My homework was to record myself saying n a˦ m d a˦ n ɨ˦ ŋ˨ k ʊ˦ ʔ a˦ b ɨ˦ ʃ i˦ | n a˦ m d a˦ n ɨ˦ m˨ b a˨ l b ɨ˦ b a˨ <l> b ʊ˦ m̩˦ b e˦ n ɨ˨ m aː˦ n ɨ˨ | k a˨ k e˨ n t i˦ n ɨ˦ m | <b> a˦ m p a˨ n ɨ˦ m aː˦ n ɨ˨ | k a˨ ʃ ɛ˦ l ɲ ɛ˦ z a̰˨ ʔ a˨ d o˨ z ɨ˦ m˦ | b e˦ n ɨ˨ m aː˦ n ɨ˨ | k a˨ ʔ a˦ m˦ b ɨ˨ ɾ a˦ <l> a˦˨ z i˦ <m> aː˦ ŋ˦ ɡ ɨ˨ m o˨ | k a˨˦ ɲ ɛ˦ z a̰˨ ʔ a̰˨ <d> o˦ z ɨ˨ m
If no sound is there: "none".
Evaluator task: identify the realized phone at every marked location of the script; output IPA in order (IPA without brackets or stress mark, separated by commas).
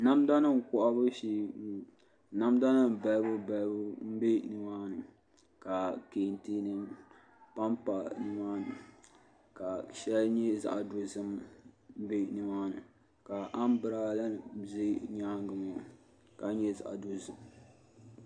l, p, l, ɲ, d